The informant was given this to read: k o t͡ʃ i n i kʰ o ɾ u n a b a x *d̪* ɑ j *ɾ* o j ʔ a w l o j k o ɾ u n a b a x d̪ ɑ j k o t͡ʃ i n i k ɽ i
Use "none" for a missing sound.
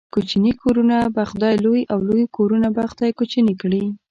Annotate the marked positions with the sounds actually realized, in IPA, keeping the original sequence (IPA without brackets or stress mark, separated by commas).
d̪, l